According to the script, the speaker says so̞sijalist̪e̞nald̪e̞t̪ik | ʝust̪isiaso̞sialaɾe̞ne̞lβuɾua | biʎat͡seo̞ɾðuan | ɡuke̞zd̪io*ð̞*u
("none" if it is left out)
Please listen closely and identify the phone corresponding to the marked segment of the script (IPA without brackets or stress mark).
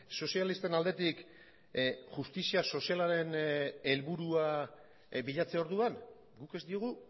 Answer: ɣ̞